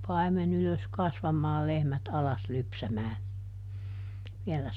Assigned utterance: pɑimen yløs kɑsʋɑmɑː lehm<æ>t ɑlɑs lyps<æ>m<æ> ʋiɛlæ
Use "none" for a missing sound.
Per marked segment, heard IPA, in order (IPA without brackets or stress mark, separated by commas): æ, æ, æː